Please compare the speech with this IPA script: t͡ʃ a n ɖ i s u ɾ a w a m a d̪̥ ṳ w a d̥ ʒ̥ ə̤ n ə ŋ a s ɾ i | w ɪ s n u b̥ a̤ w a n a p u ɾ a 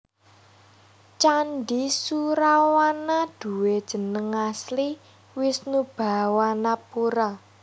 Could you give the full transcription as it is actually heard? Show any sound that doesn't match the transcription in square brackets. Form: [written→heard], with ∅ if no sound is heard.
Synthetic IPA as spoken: t͡ʃ a n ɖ i s u ɾ a w a [m→n] a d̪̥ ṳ w [a→e] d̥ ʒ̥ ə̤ n ə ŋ a s [ɾ→l] i | w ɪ s n u b̥ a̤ w a n a p u ɾ a